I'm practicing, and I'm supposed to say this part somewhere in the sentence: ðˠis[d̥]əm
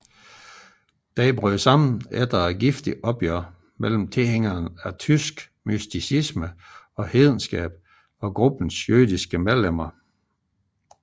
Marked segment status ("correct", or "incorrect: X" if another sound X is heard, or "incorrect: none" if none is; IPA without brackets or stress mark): incorrect: ɡ̥